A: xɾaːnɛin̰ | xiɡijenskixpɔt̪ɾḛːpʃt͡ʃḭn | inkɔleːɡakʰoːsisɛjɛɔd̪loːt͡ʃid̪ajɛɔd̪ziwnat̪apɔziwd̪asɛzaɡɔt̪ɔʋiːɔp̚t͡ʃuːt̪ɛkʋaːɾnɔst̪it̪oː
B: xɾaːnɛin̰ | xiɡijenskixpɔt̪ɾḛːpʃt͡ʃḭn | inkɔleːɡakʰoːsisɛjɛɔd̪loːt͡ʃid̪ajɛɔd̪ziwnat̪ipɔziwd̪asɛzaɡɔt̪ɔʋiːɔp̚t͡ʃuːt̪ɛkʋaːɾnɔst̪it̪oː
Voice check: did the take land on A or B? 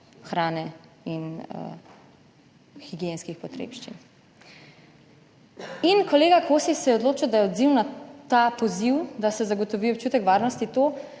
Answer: A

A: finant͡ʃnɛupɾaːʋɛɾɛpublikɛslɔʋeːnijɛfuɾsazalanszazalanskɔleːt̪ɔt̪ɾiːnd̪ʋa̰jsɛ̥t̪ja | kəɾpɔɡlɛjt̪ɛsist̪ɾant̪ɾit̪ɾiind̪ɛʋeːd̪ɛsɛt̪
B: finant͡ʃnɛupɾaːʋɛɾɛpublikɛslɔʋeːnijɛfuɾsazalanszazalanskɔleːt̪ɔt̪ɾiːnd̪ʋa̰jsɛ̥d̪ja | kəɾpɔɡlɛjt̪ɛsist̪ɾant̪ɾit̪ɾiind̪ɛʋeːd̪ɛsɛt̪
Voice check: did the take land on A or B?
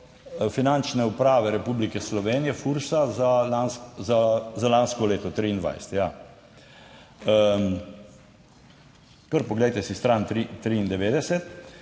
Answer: A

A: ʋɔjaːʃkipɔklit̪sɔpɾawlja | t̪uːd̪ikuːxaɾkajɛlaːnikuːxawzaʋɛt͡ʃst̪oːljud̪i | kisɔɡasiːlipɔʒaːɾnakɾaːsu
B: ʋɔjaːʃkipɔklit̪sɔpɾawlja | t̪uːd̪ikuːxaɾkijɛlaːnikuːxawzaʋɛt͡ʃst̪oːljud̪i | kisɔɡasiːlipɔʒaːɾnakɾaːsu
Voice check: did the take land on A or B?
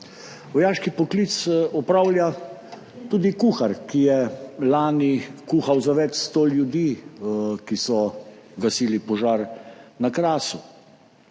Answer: B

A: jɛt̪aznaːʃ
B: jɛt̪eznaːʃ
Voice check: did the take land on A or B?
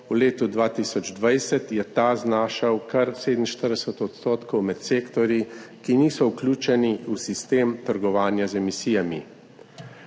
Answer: A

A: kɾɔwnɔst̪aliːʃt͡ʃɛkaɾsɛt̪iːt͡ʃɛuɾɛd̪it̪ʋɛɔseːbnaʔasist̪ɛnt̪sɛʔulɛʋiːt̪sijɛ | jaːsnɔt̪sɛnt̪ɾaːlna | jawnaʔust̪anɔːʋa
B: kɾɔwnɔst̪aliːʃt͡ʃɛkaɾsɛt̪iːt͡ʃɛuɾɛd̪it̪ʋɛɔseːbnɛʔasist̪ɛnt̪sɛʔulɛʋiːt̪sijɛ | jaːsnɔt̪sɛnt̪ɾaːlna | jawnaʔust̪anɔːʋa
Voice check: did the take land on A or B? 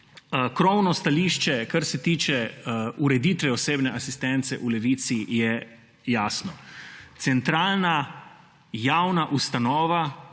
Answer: B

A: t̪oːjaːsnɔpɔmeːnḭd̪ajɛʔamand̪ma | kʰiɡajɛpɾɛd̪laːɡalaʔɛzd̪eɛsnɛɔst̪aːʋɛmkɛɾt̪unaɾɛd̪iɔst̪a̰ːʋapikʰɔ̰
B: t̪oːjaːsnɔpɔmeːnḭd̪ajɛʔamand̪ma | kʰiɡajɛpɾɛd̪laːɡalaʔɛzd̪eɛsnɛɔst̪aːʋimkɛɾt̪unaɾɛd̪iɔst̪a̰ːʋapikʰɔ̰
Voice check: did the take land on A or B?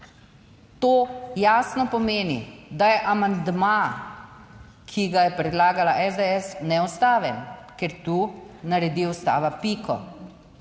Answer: A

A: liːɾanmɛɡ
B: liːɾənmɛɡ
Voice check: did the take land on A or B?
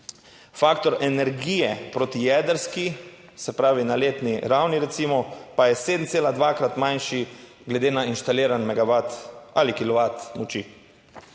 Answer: A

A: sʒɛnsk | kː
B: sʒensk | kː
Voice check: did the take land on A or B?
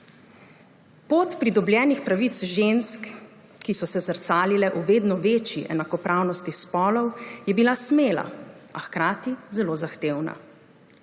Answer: B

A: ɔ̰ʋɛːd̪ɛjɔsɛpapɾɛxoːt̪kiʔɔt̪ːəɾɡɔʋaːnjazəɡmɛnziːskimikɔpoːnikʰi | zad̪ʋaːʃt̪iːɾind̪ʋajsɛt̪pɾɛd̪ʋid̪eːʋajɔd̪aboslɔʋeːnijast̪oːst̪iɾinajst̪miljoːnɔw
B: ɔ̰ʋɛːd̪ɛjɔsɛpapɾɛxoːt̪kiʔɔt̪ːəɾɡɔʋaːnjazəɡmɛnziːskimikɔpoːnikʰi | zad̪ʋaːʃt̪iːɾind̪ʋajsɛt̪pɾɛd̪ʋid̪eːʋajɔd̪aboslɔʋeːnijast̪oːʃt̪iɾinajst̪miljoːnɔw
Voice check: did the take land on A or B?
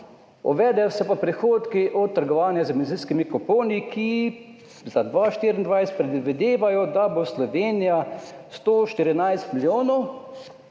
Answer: B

